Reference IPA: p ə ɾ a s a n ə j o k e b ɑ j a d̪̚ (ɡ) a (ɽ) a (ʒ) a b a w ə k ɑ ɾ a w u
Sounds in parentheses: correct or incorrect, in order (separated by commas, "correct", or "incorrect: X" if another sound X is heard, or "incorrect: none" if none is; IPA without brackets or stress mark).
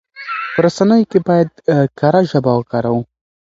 incorrect: k, incorrect: ɾ, correct